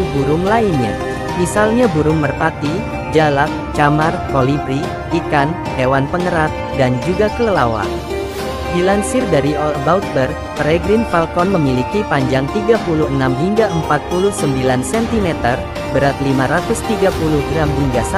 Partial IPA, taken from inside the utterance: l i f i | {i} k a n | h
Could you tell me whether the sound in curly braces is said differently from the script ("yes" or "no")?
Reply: no